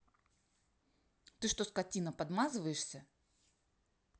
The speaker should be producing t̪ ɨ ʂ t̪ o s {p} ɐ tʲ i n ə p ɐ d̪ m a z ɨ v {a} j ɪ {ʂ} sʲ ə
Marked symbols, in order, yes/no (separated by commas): no, no, yes